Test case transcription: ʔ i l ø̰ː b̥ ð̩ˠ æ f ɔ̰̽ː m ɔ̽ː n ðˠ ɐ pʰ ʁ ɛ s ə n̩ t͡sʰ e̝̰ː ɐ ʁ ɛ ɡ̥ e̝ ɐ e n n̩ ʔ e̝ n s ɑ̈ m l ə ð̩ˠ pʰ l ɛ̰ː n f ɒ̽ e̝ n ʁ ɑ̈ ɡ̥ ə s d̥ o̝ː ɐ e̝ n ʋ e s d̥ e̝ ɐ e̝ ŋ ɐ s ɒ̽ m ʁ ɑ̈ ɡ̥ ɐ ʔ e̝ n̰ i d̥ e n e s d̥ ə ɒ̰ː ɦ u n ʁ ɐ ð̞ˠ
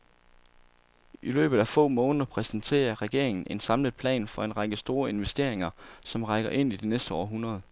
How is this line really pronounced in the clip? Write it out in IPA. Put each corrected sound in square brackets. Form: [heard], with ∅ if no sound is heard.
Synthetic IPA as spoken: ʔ i l ø̰ː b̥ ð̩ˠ æ f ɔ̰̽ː m ɔ̽ː n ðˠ ɐ pʰ ʁ ɛ s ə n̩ t͡sʰ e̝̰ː ɐ ʁ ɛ ɡ̥ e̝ ɐ e [ŋ] n̩ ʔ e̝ n s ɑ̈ m l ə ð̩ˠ pʰ l ɛ̰ː n f ɒ̽ e̝ n ʁ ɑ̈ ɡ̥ ə s d̥ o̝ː ɐ e̝ n ʋ e s d̥ e̝ ɐ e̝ ŋ ɐ s ɒ̽ m ʁ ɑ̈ ɡ̥ ɐ ʔ e̝ n̰ i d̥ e n e s d̥ ə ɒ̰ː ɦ u n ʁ ɐ ð̞ˠ